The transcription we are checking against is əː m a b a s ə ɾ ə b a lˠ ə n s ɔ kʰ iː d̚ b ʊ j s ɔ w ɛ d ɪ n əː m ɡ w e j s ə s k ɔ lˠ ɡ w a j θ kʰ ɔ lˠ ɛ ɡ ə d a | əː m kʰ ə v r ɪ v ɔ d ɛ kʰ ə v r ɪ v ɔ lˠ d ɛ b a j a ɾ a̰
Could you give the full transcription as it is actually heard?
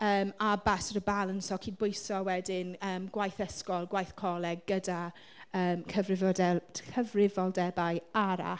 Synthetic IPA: əː m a b a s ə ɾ ə b a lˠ ə n s ɔ kʰ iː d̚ b ʊ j s ɔ w ɛ d ɪ n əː m ɡ w a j θ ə s k ɔ lˠ ɡ w a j θ kʰ ɔ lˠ ɛ ɡ ə d a | əː m kʰ ə v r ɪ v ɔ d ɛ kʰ ə v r ɪ v ɔ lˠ d ɛ b a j a ɾ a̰